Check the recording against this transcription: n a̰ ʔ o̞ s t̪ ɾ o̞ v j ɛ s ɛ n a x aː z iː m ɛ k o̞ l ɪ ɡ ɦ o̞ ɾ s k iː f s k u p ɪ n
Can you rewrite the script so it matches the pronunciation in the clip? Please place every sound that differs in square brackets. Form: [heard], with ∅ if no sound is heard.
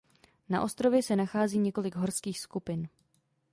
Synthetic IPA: n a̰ ʔ o̞ s t̪ ɾ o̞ v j ɛ s ɛ n a x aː z iː [ɲ] ɛ k o̞ l ɪ ɡ ɦ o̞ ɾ s k iː [x] s k u p ɪ n